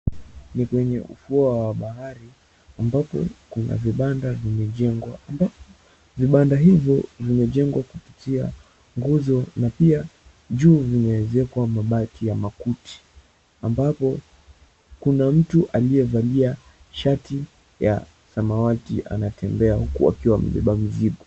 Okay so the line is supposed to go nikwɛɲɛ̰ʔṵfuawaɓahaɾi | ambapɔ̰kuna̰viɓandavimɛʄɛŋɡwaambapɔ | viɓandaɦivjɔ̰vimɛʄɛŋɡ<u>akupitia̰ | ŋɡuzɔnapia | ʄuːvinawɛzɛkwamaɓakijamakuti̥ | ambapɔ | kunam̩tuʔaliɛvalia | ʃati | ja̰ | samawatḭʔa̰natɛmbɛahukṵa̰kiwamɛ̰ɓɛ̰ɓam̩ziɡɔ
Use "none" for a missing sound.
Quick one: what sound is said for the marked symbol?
w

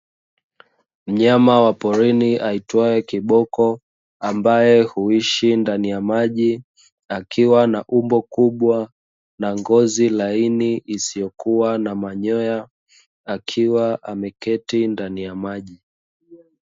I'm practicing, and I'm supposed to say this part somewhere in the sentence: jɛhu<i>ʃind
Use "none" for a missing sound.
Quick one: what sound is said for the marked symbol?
i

